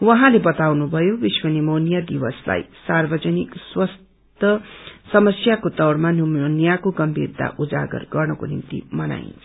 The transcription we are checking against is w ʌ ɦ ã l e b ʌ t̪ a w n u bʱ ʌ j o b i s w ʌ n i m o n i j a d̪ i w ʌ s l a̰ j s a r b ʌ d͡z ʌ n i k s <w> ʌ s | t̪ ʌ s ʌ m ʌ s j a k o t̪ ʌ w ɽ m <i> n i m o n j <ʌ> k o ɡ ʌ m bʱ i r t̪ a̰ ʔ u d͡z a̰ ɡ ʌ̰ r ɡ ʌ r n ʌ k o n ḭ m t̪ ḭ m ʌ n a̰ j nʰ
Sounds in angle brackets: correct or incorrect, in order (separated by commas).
correct, incorrect, incorrect